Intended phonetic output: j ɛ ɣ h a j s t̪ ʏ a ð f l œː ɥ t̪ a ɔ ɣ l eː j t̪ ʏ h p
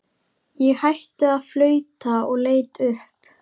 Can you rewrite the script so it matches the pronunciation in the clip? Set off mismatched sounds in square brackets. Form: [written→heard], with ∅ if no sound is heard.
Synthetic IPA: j ɛ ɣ h a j [s→h] t̪ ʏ a ð f l œː ɥ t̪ a ɔ ɣ l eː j t̪ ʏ h p